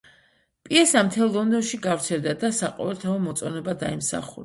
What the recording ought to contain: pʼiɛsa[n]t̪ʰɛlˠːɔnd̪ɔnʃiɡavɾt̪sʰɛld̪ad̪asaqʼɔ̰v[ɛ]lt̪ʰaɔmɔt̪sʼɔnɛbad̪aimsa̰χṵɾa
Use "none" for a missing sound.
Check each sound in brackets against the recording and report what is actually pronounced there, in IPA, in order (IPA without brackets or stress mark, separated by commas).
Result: m, ɛ